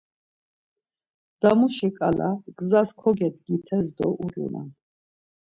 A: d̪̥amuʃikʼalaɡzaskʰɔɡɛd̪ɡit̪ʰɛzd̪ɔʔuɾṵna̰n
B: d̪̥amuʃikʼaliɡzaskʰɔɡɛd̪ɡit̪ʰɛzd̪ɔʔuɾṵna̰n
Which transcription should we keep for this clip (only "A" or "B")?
A